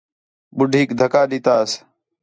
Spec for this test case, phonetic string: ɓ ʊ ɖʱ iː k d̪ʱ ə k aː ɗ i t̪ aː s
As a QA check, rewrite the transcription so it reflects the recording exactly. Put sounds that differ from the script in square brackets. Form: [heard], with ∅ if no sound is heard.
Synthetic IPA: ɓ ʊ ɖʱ iː k d̪ʱ ə k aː ɗ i t̪ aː s